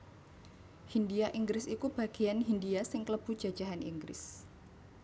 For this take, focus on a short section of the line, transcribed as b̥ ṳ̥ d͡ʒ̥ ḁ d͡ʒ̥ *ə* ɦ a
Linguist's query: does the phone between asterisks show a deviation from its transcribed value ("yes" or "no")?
yes